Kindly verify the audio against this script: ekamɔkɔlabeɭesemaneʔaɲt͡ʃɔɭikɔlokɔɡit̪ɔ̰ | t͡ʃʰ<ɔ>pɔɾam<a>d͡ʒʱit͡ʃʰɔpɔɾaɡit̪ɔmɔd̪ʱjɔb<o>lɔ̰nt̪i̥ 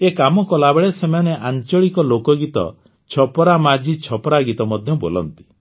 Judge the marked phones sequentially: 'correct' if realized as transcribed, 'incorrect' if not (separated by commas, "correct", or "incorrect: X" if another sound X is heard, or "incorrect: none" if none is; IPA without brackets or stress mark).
correct, correct, correct